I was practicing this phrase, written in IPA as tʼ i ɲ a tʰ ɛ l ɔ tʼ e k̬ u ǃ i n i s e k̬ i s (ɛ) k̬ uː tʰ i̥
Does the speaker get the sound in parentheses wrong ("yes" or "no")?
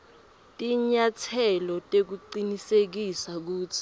yes